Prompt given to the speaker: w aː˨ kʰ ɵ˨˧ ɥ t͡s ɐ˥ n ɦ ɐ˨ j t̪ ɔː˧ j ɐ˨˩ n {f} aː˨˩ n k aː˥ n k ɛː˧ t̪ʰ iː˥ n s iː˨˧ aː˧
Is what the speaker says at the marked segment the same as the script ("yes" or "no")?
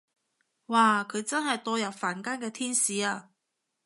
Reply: yes